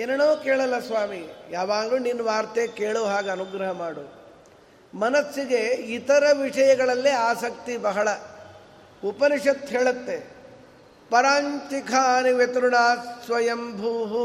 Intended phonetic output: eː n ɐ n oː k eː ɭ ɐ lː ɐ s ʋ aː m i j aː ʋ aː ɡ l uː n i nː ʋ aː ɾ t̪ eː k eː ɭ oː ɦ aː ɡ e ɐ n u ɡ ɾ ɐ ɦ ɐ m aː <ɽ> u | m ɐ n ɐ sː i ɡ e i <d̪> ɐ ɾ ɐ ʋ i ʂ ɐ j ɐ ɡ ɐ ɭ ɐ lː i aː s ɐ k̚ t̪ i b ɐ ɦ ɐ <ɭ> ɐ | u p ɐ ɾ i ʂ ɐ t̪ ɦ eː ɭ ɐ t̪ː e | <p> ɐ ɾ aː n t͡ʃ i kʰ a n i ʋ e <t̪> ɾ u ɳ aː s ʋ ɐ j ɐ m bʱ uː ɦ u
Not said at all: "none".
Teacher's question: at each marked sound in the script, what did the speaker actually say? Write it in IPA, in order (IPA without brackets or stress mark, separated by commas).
ɽ, t̪, ɭ, p, t̪